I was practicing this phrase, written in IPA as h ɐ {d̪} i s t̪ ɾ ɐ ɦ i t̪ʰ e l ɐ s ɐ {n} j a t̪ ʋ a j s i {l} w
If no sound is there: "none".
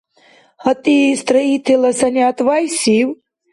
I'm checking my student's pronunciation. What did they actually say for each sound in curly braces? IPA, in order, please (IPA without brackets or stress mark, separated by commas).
t̪, n, none